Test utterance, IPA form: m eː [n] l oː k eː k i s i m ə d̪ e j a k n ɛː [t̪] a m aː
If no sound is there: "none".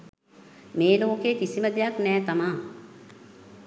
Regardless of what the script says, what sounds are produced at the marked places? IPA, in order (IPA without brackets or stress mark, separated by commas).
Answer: none, t̪